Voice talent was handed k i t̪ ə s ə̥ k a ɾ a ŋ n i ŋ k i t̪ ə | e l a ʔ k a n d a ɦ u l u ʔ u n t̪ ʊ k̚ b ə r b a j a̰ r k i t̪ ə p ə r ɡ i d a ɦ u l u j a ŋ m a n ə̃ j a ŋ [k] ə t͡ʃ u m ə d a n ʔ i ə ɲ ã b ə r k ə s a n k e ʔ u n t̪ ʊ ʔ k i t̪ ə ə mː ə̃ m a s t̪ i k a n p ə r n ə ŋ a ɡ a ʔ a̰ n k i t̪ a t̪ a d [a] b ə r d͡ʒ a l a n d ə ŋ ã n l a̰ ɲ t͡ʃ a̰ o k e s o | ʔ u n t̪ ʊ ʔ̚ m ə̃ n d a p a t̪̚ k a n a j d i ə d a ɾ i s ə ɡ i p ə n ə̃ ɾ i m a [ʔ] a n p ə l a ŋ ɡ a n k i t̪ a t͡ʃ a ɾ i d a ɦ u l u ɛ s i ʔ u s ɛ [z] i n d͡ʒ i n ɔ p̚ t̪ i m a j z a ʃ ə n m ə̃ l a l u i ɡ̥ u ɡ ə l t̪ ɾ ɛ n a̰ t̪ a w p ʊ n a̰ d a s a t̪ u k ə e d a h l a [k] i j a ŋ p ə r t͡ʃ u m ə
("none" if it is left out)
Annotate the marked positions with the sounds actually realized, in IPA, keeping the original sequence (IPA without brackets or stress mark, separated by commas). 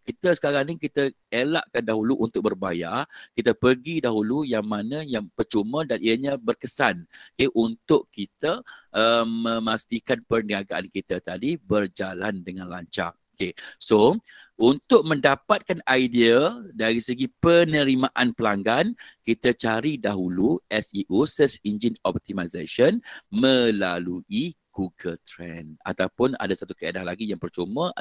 p, i, ʔ, s, ɡ